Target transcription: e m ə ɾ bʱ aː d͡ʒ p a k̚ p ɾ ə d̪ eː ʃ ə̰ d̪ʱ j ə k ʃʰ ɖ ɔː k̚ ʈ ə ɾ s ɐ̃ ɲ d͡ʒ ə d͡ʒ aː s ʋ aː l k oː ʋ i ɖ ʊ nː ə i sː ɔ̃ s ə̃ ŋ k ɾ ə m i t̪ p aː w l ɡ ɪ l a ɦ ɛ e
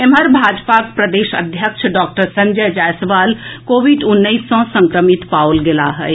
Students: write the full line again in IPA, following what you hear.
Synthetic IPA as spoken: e m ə ɾ bʱ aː d͡ʒ p a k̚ p ɾ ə d̪ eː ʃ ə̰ d̪ʱ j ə k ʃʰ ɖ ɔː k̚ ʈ ə ɾ s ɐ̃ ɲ d͡ʒ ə d͡ʒ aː s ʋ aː l k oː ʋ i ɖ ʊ nː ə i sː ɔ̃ s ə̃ ŋ k ɾ ə m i t̪ p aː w l ɡ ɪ l a ɦ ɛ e

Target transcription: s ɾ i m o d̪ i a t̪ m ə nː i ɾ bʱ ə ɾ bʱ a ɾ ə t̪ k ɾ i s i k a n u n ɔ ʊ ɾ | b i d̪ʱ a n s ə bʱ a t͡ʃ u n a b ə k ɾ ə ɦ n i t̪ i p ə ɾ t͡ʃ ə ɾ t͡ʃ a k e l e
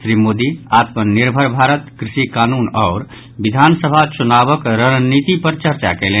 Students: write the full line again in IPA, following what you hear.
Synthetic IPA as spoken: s ɾ i m o d̪ i a t̪ m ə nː i ɾ bʱ ə ɾ bʱ a ɾ ə t̪ k ɾ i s i k a n u n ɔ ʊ ɾ | b i d̪ʱ a n s ə bʱ a t͡ʃ u n a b ə k ɾ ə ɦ n i t̪ i p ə ɾ t͡ʃ ə ɾ t͡ʃ a k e l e

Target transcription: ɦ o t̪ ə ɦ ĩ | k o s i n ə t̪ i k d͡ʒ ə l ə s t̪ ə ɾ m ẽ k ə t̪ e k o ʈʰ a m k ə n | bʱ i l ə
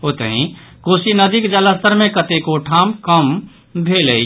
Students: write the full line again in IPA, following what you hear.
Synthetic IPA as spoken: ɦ o t̪ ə ɦ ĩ | k o s i n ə d̪ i k d͡ʒ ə l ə s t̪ ə ɾ m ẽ k ə t̪ e k o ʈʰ a m k ə m | bʱ e l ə

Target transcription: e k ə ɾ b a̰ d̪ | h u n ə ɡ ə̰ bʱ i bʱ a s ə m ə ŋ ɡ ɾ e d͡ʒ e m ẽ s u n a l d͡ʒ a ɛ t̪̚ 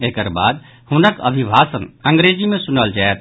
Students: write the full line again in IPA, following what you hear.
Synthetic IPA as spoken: e k ə ɾ b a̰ d̪ | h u n ə k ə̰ bʱ i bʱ a s ə n ə ŋ ɡ ɾ e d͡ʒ i m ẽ s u n ə l d͡ʒ a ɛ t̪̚

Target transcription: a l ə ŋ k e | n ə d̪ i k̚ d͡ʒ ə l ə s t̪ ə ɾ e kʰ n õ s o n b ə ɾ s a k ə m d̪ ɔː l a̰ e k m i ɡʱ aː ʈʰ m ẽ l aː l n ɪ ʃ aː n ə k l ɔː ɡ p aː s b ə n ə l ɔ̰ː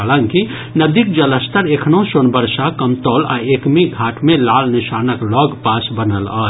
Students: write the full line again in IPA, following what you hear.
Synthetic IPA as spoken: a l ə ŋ k i | n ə d̪ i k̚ d͡ʒ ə l ə s t̪ ə ɾ e kʰ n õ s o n b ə ɾ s a k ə m t̪ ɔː l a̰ e k m i ɡʱ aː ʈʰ m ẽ l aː l n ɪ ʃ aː n ə k l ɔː ɡ p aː s b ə n ə l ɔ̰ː

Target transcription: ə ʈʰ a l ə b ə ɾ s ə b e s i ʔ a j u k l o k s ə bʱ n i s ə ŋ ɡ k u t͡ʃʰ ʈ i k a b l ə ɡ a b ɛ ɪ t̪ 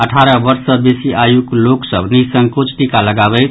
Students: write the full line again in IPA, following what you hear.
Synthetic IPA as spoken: ə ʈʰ a ɾ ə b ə ɾ s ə b e s i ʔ a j u k l o k s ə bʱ n i s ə ŋ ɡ k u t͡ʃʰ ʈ i k a l ə ɡ a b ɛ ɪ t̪

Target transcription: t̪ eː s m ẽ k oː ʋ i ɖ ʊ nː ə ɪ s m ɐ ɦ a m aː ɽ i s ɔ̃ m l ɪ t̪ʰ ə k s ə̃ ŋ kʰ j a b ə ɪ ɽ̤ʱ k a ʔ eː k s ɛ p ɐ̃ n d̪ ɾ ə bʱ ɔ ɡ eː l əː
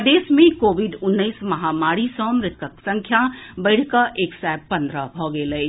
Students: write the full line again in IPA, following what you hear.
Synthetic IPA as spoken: d̪ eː s m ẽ k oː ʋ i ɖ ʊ nː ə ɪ s m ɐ ɦ a m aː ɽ i s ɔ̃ m ɾ ɪ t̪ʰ ə k s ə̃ ŋ kʰ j a b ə ɪ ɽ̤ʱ k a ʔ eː k s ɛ p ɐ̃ n d̪ ɾ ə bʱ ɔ ɡ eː l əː

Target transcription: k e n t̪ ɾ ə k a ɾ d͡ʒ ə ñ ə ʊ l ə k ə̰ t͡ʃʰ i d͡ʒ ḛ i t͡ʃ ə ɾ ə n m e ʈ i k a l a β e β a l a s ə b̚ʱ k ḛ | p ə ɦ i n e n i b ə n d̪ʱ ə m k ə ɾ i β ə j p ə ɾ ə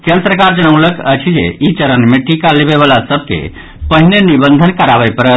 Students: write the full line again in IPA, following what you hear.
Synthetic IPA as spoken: k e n t̪ ɾ ə k a ɾ d͡ʒ ə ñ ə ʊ l ə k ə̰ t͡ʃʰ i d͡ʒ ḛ i t͡ʃ ə ɾ ə n m e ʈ i k a l e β e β a l a s ə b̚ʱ k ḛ | p ə ɦ i n e n i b ə n d̪ʱ ə n k ə ɾ a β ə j p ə ɾ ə

